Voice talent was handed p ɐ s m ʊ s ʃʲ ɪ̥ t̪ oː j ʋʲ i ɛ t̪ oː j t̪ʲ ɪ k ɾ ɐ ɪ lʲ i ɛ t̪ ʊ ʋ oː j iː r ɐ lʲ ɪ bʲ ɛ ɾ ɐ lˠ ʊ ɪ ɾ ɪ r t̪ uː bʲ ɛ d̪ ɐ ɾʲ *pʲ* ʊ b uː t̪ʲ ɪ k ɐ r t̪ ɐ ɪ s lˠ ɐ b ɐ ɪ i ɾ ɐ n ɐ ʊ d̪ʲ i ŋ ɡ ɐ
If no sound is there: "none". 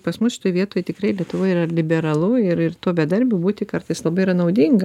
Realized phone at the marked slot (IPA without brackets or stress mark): bʲ